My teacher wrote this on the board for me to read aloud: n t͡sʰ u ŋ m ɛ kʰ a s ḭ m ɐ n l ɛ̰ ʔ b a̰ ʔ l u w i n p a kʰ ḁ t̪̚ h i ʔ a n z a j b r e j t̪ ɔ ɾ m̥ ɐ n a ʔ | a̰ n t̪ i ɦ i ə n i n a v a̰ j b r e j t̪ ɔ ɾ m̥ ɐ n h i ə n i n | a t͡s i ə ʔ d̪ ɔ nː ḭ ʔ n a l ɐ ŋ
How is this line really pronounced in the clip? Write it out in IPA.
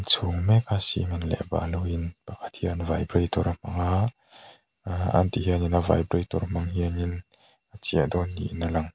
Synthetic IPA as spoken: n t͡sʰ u ŋ m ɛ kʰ a s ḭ m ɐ n l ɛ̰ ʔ b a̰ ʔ l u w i n p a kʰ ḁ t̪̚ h i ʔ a n v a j b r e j t̪ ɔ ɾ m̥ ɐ ŋ a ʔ | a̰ n t̪ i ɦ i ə n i n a v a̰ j b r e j t̪ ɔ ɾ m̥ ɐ ŋ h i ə n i n | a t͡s i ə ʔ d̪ ɔ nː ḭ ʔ n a l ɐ ŋ

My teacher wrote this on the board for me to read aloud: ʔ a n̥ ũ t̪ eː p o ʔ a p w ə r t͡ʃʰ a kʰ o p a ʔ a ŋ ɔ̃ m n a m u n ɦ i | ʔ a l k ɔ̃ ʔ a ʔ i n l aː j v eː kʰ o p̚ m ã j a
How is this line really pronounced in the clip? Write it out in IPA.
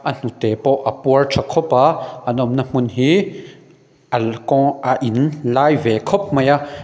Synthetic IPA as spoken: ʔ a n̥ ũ t̪ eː p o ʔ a p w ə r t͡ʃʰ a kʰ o p a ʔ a n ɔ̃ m n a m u n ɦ i | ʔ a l k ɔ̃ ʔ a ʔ i n l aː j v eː kʰ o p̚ m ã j a

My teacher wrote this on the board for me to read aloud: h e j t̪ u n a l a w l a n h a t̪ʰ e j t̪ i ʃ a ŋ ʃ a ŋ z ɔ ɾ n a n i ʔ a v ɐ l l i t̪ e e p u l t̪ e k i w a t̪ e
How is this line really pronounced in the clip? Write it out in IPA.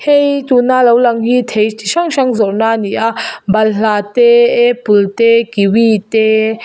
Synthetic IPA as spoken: h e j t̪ u n a l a w l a ŋ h i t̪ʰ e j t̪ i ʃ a ŋ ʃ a ŋ z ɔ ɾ n a n i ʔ a b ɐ l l a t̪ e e p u l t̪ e k i w i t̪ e

